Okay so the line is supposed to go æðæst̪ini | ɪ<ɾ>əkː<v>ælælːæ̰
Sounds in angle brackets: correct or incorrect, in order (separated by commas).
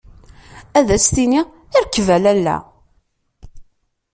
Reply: correct, correct